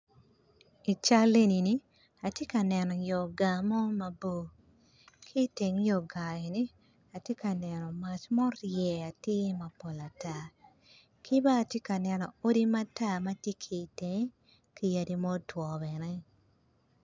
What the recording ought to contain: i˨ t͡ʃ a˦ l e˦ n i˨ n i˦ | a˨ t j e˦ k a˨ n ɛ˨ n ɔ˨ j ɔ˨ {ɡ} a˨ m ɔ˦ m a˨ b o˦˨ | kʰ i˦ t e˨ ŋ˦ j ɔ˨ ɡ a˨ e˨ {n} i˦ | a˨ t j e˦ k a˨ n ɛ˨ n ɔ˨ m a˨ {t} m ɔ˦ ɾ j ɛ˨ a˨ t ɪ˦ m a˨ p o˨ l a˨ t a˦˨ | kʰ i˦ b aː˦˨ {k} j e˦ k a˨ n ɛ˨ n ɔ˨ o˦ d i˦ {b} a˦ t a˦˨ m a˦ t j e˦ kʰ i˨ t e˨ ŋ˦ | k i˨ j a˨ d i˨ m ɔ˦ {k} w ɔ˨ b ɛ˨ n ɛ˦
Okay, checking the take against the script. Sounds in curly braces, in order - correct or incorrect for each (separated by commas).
correct, correct, incorrect, incorrect, incorrect, incorrect